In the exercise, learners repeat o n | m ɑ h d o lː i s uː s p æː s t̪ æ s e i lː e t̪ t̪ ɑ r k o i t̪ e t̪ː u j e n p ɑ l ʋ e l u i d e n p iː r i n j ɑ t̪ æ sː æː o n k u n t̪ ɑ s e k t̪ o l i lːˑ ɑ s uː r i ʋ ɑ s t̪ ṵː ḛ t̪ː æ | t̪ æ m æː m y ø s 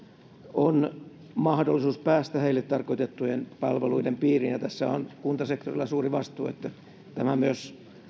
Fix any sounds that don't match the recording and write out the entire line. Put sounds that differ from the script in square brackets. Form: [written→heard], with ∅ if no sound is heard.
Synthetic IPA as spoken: o n | m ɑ h d o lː i s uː s p æː s t̪ æ [s→h] e i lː e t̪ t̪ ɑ r k o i t̪ e t̪ː u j e n p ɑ l ʋ e l u i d e [n→m] p iː r i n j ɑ t̪ æ sː [æː→æ] o n k u n t̪ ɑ s e k t̪ o [l→r] i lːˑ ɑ s uː r i ʋ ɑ s t̪ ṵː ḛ t̪ː æ | t̪ æ m [æː→æ] m y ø s